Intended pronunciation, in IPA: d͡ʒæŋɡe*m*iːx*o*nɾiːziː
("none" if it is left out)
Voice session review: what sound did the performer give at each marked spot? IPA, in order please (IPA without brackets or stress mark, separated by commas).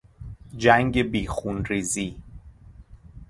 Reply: b, u